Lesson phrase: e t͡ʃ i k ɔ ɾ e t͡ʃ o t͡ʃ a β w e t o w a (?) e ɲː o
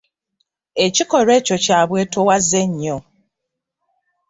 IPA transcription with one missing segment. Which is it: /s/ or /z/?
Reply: z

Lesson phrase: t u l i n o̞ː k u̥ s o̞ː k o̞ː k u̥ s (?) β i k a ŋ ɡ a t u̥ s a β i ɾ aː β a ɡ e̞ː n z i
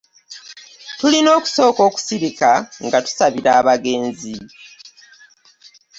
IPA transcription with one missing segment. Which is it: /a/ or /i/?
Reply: i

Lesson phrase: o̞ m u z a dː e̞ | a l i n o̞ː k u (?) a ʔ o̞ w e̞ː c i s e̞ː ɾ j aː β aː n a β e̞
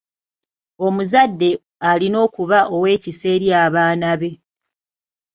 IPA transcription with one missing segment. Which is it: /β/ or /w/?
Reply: β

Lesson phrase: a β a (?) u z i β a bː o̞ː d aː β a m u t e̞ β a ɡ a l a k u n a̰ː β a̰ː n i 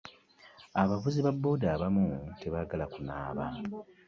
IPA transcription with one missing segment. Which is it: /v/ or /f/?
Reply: v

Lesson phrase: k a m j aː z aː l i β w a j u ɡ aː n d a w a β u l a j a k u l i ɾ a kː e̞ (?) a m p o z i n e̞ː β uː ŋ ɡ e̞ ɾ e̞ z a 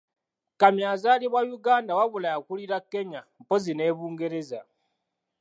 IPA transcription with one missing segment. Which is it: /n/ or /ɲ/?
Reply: ɲ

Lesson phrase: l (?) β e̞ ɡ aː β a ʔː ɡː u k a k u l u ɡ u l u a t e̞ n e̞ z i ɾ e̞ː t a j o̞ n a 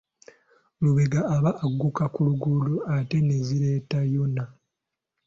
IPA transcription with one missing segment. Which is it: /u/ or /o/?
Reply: u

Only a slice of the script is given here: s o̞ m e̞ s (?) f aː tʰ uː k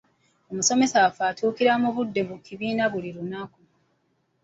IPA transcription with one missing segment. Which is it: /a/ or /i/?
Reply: a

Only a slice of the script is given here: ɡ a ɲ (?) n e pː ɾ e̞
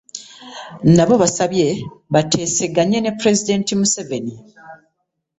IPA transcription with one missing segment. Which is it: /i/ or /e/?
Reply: e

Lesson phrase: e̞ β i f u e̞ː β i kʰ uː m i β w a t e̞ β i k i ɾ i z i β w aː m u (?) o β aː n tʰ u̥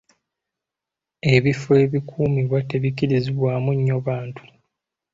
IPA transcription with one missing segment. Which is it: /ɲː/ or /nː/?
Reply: ɲː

